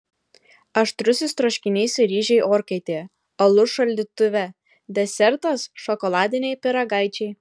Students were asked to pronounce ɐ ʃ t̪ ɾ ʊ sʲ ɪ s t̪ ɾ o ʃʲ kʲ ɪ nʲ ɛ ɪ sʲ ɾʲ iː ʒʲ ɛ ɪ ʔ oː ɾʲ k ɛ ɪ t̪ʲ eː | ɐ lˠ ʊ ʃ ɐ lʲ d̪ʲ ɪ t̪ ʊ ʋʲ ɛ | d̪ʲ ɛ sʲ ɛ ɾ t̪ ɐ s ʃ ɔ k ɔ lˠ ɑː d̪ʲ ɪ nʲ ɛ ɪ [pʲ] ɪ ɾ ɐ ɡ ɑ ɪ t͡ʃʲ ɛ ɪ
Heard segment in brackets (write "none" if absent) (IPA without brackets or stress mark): pʲ